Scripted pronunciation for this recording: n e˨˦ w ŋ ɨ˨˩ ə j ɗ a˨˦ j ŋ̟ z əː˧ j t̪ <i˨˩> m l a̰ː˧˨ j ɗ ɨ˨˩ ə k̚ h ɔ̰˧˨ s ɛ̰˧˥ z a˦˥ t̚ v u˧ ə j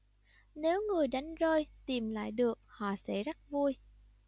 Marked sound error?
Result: no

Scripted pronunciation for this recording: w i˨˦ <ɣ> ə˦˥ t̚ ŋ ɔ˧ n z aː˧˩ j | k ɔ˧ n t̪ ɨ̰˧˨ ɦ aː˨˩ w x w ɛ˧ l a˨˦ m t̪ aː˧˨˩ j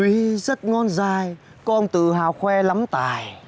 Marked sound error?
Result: yes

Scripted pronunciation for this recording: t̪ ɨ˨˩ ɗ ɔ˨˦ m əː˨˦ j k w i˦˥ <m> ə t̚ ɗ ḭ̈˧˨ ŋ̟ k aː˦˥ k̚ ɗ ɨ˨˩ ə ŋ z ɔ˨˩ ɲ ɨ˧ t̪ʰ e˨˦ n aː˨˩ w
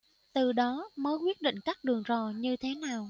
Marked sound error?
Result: yes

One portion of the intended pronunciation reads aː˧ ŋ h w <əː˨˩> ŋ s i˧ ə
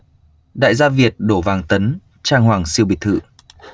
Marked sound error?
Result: yes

